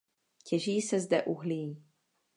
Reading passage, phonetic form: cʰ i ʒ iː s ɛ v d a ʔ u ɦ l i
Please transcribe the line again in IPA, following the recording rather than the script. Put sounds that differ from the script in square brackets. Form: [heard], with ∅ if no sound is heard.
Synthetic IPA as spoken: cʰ [ɛ] ʒ iː s ɛ [z] d [ɛ] ʔ u ɦ l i